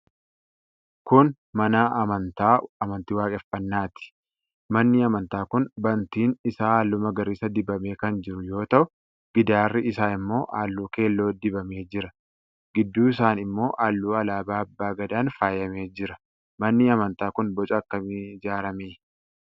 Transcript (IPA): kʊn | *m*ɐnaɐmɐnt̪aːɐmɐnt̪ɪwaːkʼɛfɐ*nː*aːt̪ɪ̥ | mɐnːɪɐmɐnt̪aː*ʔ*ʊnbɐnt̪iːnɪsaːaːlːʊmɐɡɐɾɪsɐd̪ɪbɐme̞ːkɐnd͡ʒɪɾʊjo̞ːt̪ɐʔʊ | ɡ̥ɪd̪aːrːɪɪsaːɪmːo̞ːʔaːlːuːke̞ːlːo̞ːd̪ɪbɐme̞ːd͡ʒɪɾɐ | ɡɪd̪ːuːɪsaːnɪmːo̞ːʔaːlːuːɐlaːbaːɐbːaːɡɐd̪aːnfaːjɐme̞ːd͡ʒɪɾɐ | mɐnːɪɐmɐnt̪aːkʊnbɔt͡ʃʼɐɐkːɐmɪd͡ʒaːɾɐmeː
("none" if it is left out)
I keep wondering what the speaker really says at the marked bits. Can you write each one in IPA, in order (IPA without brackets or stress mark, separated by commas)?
m, nː, k